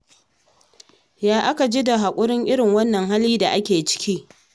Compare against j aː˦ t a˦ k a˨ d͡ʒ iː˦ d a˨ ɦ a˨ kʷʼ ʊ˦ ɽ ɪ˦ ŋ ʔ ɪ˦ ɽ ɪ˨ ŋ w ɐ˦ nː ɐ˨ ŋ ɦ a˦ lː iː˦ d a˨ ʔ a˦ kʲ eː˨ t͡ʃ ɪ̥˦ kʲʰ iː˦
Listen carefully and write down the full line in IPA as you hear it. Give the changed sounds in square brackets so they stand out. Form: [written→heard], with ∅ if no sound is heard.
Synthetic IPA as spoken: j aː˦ [t→ʔ] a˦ k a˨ d͡ʒ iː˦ d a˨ ɦ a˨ kʷʼ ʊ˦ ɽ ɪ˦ ŋ ʔ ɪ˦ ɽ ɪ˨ ŋ w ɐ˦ nː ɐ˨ ŋ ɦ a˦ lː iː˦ d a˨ ʔ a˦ kʲ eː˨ t͡ʃ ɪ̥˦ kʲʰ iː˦